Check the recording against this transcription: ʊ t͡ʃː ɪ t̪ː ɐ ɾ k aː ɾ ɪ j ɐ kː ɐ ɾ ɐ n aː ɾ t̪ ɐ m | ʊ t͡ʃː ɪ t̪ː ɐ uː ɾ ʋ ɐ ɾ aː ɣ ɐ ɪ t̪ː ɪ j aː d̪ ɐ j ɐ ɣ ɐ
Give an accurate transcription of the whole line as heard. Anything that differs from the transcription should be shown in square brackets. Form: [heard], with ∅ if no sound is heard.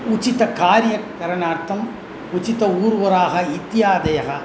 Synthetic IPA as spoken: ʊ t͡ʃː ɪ t̪ː ɐ [∅] k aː ɾ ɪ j ɐ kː ɐ ɾ ɐ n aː ɾ t̪ ɐ m | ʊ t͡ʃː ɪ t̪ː ɐ uː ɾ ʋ ɐ ɾ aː ɣ ɐ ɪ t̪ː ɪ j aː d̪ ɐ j ɐ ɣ ɐ